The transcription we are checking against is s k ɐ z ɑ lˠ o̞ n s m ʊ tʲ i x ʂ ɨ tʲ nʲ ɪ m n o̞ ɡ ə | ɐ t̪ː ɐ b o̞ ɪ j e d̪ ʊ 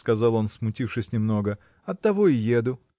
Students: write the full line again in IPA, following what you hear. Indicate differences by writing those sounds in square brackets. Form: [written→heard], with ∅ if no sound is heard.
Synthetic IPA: s k ɐ z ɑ lˠ o̞ n s m ʊ tʲ i [x→f] ʂ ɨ [tʲ→sʲ] nʲ ɪ m n o̞ ɡ ə | ɐ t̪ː ɐ [b→v] o̞ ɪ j e d̪ ʊ